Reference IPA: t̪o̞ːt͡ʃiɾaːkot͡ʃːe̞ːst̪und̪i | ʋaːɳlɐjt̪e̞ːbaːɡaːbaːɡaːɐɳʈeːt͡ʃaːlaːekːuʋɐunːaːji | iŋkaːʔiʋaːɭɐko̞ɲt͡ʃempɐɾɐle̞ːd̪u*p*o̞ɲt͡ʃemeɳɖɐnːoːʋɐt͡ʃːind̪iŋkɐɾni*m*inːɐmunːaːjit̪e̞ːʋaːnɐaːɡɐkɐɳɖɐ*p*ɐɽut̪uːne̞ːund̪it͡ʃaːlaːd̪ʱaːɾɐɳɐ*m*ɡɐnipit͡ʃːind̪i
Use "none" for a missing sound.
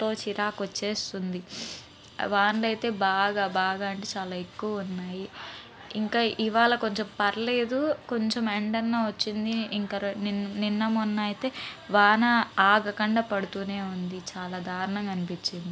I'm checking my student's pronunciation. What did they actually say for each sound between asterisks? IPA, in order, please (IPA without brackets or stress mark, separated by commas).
k, n, p, ŋ